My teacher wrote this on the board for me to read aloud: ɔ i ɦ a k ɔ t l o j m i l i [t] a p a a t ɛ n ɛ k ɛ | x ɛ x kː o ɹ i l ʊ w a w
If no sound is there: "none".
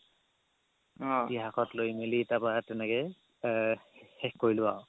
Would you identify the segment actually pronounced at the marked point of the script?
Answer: t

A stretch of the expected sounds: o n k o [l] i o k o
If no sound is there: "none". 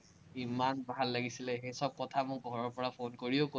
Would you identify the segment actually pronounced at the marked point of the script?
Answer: ɹ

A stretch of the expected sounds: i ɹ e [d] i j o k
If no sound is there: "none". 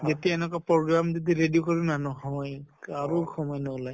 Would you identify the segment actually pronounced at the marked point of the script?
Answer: d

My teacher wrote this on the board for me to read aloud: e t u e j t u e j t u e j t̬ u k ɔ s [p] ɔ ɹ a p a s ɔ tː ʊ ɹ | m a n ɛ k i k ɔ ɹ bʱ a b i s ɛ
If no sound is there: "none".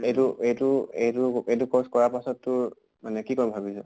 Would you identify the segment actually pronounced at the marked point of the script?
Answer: k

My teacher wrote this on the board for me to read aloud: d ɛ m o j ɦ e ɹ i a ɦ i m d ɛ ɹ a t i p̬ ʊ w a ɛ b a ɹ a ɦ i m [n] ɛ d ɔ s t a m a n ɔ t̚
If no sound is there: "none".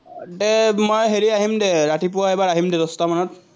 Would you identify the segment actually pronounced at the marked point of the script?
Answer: d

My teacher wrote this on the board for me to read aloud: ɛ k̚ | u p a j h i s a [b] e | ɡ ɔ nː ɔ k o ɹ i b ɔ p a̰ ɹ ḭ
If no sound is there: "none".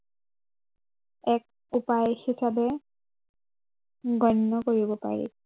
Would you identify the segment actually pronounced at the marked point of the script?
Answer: b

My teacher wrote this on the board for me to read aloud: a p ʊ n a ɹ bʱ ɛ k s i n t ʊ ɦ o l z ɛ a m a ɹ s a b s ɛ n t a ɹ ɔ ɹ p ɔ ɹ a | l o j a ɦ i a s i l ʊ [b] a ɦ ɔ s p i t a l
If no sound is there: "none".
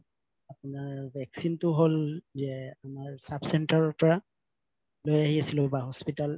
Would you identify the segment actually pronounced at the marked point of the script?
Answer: b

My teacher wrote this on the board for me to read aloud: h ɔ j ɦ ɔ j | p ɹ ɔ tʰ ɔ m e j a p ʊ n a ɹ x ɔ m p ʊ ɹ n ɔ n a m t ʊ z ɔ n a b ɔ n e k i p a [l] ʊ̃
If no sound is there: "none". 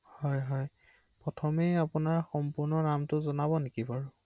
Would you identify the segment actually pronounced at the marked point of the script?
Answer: ɹ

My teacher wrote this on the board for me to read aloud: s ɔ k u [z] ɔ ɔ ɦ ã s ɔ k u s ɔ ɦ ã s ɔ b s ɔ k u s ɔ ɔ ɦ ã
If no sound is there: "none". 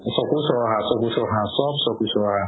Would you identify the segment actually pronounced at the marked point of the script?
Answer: s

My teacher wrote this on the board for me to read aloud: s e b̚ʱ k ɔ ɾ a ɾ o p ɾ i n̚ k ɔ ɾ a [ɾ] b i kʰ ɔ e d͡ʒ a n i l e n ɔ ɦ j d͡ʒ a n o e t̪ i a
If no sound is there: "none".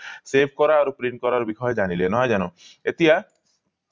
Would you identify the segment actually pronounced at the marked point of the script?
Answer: ɾ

